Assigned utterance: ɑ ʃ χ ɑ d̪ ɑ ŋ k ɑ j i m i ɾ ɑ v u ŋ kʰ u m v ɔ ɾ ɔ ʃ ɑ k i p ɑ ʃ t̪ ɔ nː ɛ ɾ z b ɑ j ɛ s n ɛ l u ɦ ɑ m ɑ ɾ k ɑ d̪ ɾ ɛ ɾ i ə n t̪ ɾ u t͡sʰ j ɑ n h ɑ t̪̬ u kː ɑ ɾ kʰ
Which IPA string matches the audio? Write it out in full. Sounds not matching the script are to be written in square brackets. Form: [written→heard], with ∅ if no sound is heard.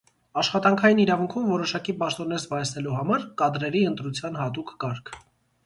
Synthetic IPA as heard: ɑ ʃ χ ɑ [d̪→t̪] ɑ ŋ [k→kʰ] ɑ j i [m→n] i ɾ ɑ v u ŋ kʰ u m v ɔ ɾ ɔ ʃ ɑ k i p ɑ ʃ t̪ ɔ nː ɛ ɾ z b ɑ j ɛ s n ɛ l u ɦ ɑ m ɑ ɾ k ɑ d̪ ɾ ɛ ɾ i ə n t̪ ɾ u t͡sʰ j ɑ n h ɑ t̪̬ u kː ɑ ɾ kʰ